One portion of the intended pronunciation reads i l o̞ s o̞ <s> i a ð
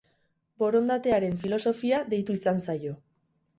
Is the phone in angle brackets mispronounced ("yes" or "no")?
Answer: yes